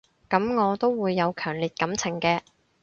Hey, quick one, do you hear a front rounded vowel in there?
yes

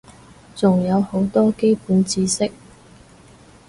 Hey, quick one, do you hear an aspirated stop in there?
no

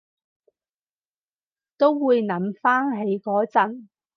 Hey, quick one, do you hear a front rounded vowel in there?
no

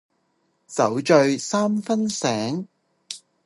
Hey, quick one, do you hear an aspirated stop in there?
no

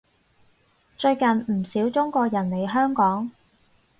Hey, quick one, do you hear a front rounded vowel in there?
yes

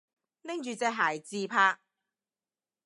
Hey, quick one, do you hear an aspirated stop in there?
yes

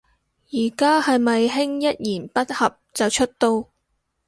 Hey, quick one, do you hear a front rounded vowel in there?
no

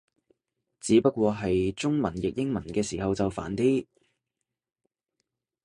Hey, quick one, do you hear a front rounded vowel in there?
no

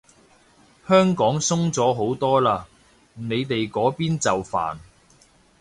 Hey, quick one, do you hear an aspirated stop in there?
no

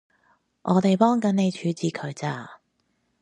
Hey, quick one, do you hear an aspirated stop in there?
yes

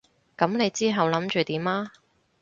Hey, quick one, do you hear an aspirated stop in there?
no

